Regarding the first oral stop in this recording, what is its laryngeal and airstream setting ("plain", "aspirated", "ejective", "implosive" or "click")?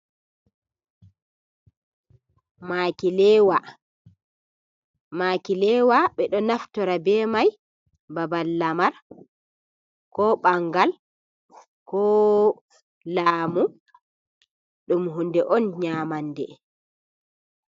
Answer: plain